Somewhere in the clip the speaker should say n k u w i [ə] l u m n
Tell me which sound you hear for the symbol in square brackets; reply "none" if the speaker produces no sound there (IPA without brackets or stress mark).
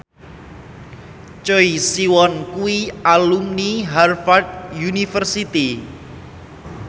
a